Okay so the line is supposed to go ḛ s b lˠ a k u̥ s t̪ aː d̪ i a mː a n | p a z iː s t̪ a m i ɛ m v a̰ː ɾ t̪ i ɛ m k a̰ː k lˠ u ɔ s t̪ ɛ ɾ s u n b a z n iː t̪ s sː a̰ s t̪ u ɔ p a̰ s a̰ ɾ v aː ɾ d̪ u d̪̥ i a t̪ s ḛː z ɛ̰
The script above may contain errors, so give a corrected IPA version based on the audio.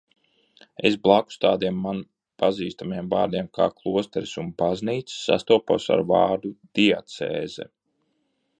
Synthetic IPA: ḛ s b lˠ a k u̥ s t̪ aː d̪ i ɛ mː a n | p a z iː s t̪ a m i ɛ m v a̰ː ɾ d̪ i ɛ m k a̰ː k lˠ u ɔ s t̪ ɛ ɾ s u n b a z n iː t̪ s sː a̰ s t̪ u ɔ p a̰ s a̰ ɾ v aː ɾ d̪ u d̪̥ i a t̪ s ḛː z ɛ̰